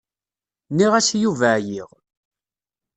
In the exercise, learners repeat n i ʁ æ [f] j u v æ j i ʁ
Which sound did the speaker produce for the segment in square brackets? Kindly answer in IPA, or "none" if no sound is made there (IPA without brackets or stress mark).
s